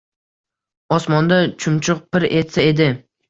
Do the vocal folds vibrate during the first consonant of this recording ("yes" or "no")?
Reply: no